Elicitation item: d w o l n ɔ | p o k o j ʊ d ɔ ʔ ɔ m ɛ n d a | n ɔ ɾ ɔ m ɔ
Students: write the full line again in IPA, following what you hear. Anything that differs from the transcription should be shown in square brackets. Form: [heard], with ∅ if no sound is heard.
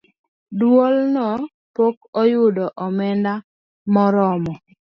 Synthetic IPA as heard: d w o l n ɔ | p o k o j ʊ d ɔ ʔ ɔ m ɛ n d a | [m] ɔ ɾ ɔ m ɔ